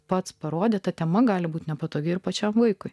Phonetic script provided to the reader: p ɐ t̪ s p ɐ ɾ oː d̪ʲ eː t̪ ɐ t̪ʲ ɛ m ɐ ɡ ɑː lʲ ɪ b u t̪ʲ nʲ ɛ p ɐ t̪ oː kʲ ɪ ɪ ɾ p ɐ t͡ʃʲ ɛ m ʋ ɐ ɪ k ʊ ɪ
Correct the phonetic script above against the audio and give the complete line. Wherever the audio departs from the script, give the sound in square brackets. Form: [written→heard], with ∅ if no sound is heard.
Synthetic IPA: p ɐ t̪ s p ɐ ɾ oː d̪ʲ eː t̪ ɐ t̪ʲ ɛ m ɐ ɡ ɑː lʲ ɪ b [u→uː] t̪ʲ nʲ ɛ p ɐ t̪ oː [kʲ→ɡʲ] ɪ ɪ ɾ p ɐ t͡ʃʲ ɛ m ʋ ɐ ɪ k ʊ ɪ